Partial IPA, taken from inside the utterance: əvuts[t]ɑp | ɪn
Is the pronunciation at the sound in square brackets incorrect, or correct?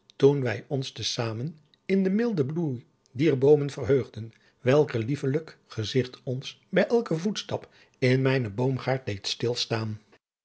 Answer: correct